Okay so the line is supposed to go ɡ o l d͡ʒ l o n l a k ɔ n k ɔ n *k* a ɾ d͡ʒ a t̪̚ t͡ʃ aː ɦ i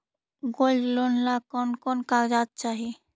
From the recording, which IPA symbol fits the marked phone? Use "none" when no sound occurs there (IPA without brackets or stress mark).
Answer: k